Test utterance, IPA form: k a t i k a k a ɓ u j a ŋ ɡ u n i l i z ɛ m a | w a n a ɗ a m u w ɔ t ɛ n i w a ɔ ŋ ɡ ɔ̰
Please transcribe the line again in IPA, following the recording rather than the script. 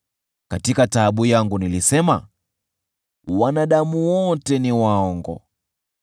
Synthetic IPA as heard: k a t i k a t a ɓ u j a ŋ ɡ u n i l i s ɛ m a | w a n a ɗ a m u w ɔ t ɛ n i w a ɔ ŋ ɡ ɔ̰